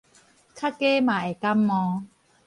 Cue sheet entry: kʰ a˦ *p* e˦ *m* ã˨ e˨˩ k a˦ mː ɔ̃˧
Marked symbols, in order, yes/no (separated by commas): no, yes